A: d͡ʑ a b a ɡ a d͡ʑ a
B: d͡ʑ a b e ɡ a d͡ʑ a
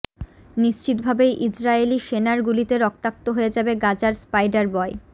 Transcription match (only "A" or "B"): B